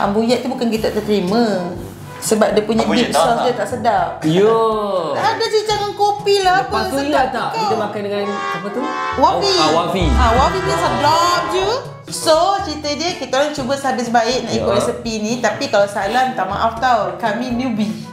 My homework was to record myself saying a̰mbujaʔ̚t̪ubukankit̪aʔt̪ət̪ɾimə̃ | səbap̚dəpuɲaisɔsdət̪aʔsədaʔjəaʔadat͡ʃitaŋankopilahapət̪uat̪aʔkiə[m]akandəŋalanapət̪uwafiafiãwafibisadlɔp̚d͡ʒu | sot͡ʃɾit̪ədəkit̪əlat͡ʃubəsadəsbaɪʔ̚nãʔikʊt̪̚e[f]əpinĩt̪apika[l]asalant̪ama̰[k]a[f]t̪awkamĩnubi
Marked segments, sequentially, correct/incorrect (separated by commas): correct, incorrect, correct, incorrect, correct